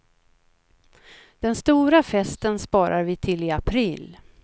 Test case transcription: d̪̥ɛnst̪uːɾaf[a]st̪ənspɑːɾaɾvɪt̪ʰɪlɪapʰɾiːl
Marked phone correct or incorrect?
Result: incorrect